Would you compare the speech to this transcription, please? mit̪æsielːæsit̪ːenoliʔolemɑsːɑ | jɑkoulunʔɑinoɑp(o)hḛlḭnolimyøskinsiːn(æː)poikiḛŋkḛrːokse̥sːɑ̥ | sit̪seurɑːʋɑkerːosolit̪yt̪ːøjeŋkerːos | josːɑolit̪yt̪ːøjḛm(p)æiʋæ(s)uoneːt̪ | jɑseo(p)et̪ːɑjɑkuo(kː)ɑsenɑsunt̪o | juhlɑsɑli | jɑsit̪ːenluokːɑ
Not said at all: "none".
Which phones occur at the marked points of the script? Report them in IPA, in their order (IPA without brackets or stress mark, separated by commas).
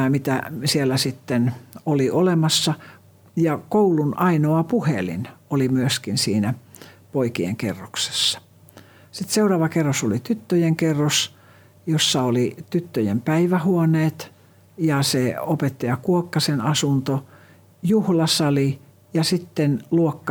u, æ, p, h, p, kː